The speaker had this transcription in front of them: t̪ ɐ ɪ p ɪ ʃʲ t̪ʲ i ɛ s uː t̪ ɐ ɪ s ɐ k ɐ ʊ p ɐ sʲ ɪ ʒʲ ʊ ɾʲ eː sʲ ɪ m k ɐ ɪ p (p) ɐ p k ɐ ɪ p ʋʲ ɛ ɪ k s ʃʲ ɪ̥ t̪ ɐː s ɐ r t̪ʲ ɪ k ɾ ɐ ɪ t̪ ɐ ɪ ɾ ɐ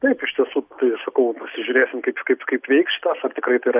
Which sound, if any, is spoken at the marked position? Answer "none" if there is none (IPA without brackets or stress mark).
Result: k